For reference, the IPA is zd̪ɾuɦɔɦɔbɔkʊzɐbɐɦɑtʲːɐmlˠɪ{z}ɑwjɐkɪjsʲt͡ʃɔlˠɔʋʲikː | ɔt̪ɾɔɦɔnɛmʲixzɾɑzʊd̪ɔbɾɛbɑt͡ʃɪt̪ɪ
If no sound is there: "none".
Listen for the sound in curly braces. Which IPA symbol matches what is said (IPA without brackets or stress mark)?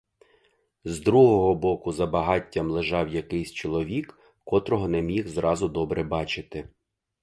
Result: ʒ